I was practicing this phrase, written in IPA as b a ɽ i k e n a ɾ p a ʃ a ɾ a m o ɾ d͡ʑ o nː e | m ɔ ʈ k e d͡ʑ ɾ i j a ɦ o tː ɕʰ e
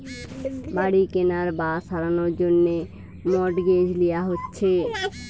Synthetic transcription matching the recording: b a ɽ i k e n a ɾ b a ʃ a ɾ a n o ɾ d͡ʑ o nː e | m ɔ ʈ ɡ e d͡ʑ l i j a ɦ o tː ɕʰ e